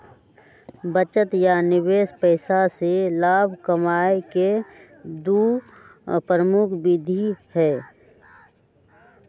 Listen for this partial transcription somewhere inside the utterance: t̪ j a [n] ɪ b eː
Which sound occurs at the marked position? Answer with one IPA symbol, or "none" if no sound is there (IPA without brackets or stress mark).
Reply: n